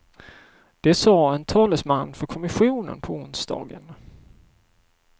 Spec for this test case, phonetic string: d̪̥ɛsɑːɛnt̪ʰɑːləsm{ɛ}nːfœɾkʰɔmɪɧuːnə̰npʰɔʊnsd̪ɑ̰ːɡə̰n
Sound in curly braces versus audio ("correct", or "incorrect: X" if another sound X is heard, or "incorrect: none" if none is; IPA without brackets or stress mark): incorrect: a